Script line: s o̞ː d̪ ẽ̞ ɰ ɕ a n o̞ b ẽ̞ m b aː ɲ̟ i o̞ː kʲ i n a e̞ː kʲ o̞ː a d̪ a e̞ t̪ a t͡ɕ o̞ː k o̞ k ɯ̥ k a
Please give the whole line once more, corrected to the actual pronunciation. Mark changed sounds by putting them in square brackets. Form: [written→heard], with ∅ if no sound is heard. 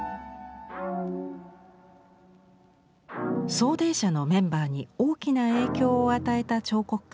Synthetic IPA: s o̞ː d̪ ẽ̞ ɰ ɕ a n o̞ [b→m] ẽ̞ m b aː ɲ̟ i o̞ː kʲ i n a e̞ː kʲ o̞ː a [d̪→t̪] a e̞ t̪ a t͡ɕ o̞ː k o̞ k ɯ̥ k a